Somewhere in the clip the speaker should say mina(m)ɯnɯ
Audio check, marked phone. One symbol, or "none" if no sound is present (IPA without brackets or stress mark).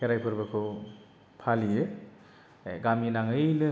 ŋ